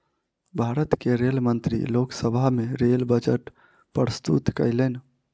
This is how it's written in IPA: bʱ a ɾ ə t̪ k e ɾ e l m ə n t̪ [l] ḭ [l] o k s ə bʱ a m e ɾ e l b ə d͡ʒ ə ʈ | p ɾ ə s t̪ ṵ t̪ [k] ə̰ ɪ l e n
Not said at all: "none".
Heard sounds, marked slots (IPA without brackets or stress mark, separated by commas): ɾ, l, k